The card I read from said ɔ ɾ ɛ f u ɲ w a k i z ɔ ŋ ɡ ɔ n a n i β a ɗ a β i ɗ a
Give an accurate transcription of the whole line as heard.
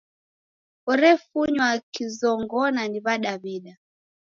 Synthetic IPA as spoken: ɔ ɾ ɛ f u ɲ w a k i z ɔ ŋ ɡ ɔ n a n i β a ɗ a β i ɗ a